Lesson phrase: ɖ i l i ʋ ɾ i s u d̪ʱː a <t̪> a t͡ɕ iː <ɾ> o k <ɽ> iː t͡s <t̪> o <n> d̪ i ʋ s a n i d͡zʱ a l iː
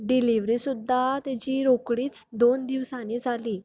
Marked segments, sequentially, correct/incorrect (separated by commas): correct, correct, correct, incorrect, correct